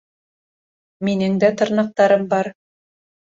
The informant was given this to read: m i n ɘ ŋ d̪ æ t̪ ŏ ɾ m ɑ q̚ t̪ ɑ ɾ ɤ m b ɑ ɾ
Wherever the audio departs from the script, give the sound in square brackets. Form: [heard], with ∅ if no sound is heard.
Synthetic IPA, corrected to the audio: m i n ɘ ŋ d̪ æ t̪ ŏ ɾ [n] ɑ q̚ t̪ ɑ ɾ ɤ m b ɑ ɾ